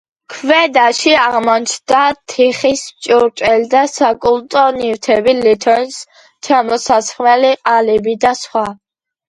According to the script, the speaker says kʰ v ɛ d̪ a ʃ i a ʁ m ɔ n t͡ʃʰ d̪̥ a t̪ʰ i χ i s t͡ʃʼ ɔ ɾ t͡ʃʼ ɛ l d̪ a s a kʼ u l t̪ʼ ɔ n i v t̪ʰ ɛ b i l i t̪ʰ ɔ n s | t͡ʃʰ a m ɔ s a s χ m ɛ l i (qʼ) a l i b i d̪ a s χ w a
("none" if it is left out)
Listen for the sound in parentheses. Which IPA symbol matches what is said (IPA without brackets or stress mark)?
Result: qʼ